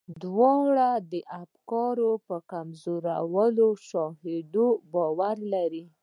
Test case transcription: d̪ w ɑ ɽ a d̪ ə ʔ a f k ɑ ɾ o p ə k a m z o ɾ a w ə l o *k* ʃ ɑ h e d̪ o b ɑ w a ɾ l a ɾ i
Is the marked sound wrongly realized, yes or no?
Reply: yes